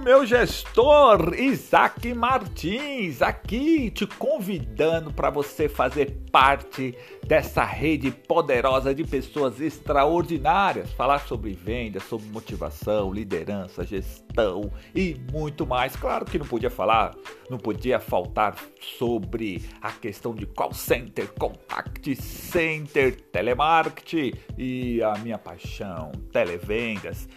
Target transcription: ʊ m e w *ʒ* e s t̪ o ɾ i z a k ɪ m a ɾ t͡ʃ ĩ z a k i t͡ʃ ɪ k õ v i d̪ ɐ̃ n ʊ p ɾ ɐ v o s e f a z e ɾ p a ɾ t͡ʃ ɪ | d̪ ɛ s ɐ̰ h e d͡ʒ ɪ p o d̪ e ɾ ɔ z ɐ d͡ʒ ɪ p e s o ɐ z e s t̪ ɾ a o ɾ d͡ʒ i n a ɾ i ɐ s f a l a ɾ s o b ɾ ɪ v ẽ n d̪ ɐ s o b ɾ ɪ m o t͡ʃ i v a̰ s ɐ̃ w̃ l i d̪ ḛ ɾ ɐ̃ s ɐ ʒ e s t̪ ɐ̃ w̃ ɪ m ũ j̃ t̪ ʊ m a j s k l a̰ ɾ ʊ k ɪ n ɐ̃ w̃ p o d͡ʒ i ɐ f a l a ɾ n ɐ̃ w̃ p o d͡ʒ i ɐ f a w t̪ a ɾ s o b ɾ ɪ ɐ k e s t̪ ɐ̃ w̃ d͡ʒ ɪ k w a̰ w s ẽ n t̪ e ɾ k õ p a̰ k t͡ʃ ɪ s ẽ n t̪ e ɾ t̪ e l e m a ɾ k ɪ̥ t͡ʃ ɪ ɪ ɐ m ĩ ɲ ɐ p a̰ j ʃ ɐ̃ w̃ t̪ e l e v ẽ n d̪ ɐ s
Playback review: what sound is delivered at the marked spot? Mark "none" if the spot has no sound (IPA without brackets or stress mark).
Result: ʒ